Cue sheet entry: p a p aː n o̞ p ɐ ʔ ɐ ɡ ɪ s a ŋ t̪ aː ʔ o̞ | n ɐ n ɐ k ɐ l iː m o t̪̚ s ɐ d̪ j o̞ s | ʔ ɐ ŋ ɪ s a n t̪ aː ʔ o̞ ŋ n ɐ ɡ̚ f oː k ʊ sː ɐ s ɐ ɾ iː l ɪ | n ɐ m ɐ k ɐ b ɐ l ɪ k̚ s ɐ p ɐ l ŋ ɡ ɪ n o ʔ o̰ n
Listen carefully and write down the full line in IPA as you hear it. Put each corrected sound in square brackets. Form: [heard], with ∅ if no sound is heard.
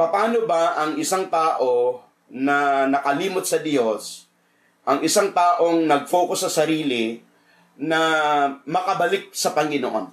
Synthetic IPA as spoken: p [ɐ] p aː n o̞ [b] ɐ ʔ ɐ [ŋ] ɪ s a ŋ t̪ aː ʔ o̞ | n ɐ n ɐ k ɐ l iː m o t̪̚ s ɐ d̪ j o̞ s | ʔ ɐ ŋ ɪ s a [ŋ] t̪ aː ʔ o̞ ŋ n ɐ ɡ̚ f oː k ʊ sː ɐ s ɐ ɾ iː l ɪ | n ɐ m ɐ k ɐ b ɐ l ɪ k̚ s ɐ p ɐ [∅] ŋ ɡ ɪ n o ʔ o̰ n